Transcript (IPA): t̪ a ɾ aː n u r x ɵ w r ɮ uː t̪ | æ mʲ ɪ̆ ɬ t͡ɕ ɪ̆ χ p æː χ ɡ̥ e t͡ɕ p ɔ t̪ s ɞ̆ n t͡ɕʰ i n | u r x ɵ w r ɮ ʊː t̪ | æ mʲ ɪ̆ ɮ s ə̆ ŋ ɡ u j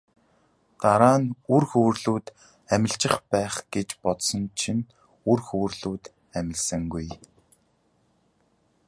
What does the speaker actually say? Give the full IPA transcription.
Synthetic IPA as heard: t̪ a ɾ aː n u r x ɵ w r ɮ uː t̪ | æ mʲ ɪ̆ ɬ t͡ɕ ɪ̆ χ p æː χ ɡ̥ e t͡ɕ p ɔ t̪ s ɞ̆ n t͡ɕʰ i n | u r x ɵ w r ɮ uː t̪ | æ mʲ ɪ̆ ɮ s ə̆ ŋ ɡ u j